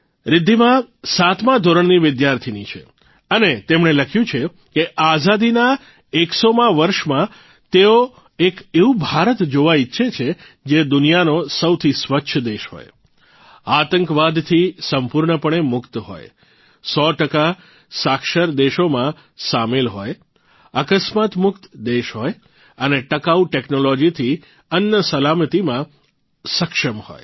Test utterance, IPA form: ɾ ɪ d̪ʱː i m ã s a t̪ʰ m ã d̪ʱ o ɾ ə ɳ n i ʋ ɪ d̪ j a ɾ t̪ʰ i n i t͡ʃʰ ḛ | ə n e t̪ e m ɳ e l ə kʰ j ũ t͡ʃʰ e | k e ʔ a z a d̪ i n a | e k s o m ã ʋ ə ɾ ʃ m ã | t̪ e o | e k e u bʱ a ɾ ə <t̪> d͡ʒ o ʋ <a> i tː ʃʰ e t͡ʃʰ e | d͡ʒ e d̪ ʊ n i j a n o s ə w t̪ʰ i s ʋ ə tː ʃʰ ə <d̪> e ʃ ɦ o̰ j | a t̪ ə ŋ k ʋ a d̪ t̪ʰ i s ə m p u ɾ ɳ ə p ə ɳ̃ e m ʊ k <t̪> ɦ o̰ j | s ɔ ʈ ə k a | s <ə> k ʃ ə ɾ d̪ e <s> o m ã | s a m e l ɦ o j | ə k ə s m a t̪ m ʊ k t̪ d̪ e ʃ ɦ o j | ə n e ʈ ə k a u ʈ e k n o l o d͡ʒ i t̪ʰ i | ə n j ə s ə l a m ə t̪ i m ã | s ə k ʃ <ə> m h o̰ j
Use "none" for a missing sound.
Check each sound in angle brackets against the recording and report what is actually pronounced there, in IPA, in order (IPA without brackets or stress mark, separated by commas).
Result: t̪, a, d̪, t̪, a, ʃ, ə